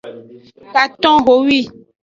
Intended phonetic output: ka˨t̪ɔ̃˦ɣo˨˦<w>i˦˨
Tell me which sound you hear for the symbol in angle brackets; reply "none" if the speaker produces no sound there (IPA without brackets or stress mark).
w